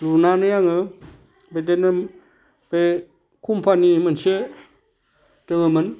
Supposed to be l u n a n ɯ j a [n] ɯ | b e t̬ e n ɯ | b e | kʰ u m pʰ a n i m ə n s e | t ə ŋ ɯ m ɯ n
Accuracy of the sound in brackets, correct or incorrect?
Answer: incorrect